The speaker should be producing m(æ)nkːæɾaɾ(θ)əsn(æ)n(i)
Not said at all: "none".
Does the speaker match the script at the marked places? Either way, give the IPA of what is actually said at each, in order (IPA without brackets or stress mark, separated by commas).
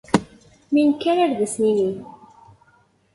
i, ð, i, i